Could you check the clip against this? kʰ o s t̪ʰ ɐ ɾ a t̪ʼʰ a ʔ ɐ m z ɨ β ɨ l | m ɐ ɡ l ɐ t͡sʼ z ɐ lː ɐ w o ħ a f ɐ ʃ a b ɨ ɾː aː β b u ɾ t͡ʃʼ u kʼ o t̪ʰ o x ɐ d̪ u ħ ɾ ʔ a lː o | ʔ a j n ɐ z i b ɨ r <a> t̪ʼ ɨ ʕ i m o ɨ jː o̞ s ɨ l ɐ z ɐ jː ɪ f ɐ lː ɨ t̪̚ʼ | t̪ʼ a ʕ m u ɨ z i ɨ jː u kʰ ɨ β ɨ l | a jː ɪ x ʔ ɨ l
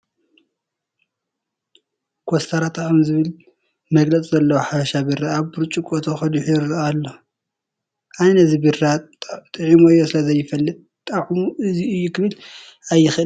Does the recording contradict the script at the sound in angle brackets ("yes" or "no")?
no